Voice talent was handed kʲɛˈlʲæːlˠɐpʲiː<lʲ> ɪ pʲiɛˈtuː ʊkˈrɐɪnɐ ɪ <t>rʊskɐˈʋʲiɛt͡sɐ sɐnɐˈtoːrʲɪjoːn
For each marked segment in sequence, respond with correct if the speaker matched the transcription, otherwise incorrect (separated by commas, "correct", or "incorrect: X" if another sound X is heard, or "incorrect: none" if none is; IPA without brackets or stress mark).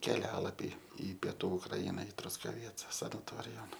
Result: incorrect: none, correct